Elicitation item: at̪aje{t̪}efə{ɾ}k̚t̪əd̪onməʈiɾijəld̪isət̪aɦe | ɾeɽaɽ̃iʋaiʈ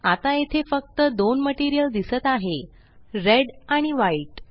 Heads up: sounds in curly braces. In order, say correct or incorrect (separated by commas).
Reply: incorrect, incorrect